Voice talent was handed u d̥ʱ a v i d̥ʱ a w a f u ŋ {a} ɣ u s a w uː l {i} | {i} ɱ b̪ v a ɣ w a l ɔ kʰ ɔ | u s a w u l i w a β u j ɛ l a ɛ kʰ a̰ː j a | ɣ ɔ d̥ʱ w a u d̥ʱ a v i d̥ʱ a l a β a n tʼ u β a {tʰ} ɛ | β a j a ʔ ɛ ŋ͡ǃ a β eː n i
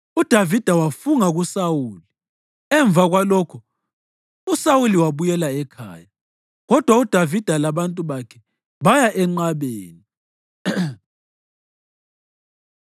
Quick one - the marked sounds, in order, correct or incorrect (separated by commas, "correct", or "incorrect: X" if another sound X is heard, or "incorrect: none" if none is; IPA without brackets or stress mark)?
correct, correct, incorrect: ɛ, incorrect: kʰ